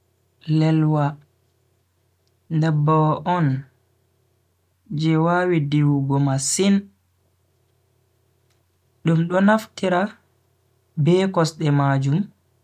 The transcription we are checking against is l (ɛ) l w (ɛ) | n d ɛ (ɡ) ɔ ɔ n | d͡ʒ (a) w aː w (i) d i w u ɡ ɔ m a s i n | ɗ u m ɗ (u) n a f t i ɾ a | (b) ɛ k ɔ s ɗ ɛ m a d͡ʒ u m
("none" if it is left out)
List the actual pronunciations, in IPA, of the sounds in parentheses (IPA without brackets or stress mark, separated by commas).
ɛ, a, b, ɛ, i, ɔ, b